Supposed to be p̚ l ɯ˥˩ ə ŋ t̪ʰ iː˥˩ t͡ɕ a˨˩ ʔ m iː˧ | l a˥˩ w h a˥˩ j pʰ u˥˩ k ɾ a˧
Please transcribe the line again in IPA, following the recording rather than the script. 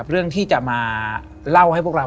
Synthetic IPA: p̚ ɾ ɯ˥˩ ə ŋ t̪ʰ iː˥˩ t͡ɕ a˨˩ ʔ m aː˧ | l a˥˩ w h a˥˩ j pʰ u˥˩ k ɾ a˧